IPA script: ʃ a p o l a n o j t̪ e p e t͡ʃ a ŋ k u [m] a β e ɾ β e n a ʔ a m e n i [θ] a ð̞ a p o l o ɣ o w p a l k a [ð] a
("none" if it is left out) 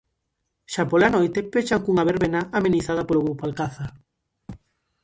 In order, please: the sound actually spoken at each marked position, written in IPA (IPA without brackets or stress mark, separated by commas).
ŋ, θ, θ